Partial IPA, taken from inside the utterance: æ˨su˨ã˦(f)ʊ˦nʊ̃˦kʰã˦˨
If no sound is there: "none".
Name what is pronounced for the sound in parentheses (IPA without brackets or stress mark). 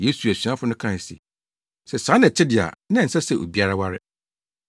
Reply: f